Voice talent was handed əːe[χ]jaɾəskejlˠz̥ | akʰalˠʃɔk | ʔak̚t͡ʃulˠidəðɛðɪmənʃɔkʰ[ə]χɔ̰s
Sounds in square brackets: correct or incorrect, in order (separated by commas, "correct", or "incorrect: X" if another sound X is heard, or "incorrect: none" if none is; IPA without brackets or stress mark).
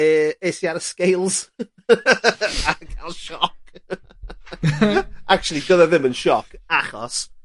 incorrect: s, incorrect: a